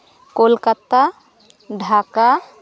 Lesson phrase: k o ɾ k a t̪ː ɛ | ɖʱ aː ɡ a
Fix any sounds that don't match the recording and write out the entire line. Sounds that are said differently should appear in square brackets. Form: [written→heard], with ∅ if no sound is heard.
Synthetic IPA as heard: k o [ɾ→l] k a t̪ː [ɛ→a] | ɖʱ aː [ɡ→k] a